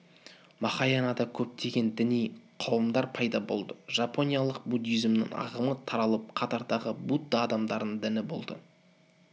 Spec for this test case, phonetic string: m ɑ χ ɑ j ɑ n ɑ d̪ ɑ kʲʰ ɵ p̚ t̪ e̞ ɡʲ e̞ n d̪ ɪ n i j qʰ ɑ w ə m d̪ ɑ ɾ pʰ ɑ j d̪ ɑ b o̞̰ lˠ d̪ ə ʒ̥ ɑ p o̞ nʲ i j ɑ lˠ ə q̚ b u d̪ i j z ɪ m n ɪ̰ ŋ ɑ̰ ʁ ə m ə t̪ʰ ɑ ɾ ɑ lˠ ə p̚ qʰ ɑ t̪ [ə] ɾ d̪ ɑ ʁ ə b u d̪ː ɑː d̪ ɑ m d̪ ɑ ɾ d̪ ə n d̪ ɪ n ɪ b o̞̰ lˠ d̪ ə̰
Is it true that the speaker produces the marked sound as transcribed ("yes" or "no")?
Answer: no